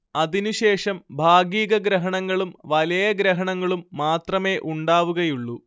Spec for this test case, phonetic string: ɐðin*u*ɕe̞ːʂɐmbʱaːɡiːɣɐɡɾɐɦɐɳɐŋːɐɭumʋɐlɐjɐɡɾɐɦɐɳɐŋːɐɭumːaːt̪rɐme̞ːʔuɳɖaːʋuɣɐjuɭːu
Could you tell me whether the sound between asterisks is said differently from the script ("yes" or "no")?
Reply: no